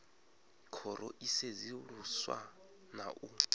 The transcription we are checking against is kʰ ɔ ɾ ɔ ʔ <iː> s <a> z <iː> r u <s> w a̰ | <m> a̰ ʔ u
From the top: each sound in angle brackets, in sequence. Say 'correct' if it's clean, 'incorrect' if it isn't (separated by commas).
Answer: incorrect, incorrect, incorrect, correct, incorrect